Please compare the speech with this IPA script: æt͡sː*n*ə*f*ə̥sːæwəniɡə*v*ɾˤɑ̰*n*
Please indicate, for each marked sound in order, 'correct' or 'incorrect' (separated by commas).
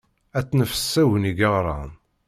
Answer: correct, correct, incorrect, correct